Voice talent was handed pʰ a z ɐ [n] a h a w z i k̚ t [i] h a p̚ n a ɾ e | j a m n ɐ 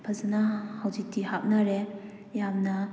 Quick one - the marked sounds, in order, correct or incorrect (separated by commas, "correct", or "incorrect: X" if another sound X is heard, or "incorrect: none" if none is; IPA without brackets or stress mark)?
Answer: correct, correct